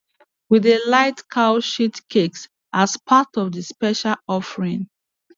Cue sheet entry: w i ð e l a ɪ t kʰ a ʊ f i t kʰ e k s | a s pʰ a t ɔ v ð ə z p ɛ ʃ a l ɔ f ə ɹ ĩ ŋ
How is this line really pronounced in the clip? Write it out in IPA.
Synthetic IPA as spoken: w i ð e l a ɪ t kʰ a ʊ ʃ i t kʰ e k s | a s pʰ a t ɔ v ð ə s p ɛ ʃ a l ɔ f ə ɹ ĩ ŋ